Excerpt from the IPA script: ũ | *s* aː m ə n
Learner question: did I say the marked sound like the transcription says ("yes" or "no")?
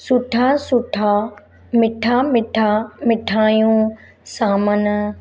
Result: yes